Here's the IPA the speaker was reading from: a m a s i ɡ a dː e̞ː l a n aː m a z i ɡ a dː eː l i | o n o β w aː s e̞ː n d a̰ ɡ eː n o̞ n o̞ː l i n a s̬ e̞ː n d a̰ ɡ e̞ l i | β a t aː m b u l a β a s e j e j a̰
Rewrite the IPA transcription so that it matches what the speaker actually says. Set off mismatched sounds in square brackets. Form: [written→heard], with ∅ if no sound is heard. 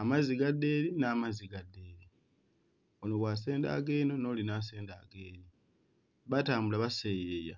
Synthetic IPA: a m a [s→z] i ɡ a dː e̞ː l [a→i] n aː m a z i ɡ a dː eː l i | o n o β w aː s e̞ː n d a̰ ɡ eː n o̞ n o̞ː l i n a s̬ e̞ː n d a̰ ɡ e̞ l i | β a t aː m b u l a β a s e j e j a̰